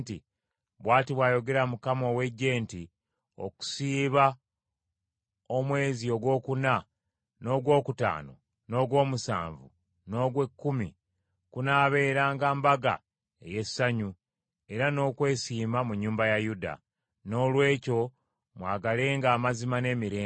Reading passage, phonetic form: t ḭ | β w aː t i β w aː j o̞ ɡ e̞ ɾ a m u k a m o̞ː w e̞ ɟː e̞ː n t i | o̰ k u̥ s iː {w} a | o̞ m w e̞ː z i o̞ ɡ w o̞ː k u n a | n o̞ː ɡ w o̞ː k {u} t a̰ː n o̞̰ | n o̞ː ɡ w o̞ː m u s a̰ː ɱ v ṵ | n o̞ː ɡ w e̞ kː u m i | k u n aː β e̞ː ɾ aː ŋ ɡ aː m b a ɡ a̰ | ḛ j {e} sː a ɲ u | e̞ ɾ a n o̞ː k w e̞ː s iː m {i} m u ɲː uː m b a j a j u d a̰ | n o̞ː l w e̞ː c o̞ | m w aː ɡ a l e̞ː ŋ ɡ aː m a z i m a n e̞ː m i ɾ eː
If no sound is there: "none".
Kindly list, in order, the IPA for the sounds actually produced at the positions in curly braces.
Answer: β, u, e, a

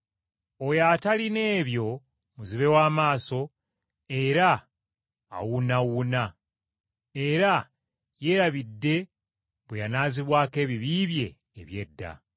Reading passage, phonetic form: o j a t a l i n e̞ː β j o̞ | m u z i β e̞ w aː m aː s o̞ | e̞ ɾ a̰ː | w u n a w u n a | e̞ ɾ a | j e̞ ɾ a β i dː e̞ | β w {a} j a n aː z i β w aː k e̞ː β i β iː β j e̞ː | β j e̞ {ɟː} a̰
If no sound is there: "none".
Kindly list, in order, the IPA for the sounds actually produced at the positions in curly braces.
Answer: e, dː

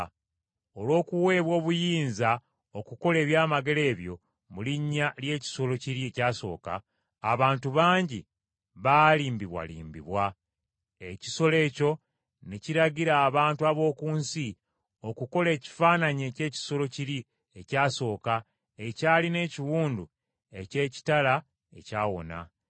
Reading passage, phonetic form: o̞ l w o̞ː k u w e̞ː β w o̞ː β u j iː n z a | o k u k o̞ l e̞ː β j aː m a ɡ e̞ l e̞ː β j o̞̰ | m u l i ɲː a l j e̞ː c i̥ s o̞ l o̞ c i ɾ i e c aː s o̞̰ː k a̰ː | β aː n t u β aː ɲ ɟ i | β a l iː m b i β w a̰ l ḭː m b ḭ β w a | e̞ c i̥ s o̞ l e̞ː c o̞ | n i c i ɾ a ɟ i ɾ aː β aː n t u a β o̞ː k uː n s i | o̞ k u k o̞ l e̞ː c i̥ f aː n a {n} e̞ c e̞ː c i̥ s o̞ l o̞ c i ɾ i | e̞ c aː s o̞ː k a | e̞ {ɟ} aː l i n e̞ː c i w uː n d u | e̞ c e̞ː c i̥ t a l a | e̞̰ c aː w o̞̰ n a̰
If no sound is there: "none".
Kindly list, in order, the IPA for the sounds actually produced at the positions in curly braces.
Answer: ɲ, c

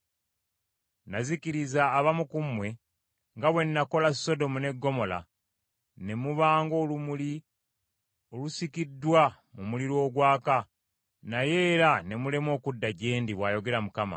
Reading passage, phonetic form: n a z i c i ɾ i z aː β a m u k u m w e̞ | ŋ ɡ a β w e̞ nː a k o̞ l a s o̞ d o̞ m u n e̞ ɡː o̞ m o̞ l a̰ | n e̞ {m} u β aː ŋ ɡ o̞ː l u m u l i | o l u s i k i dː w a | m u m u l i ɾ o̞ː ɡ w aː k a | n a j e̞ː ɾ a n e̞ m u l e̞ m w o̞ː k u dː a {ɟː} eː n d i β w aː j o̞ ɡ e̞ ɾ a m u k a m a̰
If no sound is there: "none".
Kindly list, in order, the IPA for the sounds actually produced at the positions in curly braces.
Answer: m, ɟ

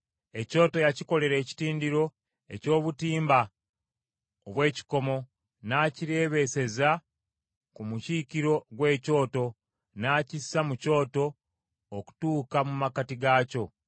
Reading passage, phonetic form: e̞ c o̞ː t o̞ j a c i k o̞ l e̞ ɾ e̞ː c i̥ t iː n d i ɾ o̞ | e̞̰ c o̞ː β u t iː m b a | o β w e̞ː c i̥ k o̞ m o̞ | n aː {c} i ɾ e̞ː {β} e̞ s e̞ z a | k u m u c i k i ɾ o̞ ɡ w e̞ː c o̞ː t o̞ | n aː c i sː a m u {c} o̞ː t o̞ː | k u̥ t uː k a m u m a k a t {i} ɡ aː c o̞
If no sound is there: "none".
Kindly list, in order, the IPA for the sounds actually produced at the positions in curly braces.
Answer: c, β, c, i

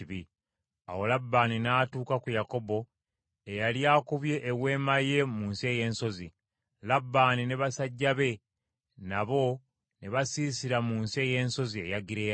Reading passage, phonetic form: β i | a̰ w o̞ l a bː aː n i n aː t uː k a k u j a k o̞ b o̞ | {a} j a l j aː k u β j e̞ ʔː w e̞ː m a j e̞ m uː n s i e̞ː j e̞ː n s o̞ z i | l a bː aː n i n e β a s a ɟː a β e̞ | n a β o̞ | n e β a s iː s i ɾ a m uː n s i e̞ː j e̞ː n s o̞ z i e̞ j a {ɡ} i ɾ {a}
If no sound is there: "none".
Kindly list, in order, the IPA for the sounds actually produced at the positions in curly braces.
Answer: e, ɡ, e

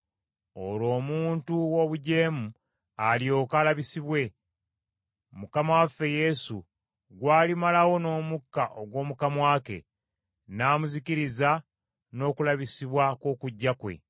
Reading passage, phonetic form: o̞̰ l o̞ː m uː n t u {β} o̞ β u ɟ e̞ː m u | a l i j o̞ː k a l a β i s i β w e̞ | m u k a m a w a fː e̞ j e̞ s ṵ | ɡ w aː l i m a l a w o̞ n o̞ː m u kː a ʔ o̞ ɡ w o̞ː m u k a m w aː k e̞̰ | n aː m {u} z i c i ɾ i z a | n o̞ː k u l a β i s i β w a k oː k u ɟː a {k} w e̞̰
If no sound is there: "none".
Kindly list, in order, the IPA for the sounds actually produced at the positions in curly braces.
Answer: w, u, k

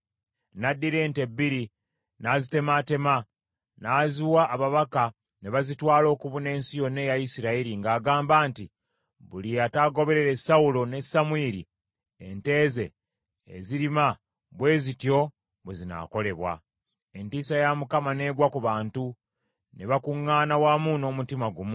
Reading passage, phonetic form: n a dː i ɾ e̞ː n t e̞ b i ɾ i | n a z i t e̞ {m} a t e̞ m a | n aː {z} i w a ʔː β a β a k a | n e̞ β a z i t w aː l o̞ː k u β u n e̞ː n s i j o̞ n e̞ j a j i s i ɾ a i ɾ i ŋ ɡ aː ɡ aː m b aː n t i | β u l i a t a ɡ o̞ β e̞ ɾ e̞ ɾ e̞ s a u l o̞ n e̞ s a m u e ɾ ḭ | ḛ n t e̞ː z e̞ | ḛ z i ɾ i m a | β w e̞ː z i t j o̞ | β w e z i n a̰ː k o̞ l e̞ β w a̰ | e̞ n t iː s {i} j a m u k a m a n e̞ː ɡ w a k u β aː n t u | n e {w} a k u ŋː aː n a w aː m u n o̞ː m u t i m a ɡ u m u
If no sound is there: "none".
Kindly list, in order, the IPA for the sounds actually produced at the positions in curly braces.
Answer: m, z, a, β

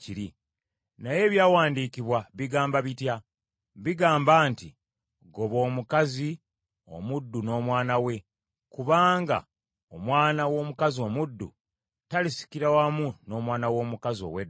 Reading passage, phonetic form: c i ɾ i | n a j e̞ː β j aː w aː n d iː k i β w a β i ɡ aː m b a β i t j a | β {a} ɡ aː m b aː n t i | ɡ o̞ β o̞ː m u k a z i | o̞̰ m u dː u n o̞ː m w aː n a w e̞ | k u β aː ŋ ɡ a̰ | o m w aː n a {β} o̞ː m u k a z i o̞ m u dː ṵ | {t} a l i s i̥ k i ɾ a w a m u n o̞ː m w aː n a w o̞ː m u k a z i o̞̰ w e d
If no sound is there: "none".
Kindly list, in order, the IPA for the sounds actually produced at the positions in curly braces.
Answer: i, w, t

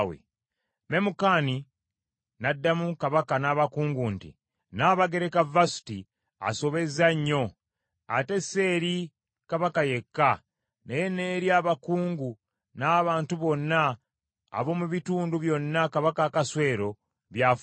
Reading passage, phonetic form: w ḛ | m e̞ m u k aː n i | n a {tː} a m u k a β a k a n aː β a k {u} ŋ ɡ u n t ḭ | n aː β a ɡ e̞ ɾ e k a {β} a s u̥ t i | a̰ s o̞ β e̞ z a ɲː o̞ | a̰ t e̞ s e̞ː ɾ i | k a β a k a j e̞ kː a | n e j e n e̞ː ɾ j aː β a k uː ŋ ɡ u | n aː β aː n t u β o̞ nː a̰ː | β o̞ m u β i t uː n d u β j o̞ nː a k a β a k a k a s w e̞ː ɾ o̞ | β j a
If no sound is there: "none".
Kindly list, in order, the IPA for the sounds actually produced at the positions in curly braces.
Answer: dː, uː, v

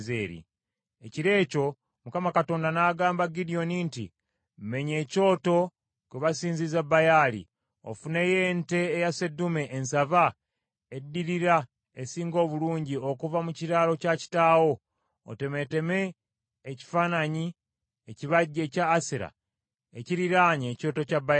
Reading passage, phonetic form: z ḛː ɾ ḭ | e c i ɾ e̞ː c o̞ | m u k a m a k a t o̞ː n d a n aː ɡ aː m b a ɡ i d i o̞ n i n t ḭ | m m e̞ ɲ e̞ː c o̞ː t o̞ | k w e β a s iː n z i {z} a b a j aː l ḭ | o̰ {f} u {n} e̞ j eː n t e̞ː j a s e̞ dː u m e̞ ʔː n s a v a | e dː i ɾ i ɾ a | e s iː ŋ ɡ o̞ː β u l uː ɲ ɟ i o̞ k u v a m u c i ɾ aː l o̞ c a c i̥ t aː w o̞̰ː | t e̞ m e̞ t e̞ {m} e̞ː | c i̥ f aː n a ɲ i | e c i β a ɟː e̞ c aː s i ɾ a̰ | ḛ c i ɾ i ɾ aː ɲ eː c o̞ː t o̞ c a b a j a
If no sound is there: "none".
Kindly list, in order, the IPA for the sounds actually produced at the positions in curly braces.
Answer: z, f, n, m

